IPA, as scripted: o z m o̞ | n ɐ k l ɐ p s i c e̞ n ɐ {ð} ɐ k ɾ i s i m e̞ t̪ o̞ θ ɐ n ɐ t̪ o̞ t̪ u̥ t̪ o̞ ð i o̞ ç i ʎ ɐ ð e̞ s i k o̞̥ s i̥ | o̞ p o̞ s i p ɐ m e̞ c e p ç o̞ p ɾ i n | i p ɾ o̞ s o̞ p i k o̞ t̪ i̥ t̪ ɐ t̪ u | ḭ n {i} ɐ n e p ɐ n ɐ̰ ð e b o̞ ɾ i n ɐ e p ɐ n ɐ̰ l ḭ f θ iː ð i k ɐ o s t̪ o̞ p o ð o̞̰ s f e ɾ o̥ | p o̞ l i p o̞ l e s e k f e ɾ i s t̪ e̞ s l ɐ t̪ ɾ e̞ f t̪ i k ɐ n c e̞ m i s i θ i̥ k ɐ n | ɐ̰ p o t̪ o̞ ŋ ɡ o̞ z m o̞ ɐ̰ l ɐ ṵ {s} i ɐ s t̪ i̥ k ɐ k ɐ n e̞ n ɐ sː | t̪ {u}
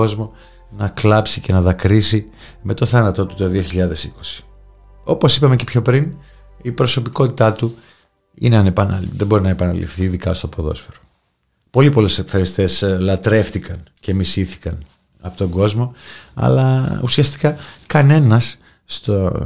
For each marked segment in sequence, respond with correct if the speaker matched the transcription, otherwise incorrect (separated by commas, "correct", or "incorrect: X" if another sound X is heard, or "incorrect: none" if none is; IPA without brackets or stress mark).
correct, incorrect: e, correct, incorrect: o